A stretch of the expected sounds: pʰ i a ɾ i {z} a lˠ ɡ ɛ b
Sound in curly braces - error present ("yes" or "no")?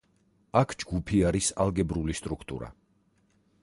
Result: yes